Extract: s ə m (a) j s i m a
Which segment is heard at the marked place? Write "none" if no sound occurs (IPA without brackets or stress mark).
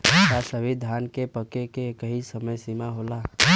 ə